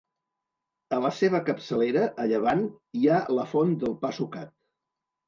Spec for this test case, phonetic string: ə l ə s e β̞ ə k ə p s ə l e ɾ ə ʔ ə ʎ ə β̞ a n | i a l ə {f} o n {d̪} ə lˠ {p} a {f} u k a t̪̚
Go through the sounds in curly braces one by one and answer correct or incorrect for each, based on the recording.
correct, correct, correct, incorrect

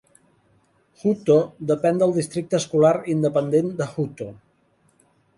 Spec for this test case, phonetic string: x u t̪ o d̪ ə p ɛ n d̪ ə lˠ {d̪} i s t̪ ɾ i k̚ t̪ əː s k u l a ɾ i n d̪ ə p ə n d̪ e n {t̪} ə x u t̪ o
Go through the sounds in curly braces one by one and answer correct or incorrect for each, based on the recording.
correct, incorrect

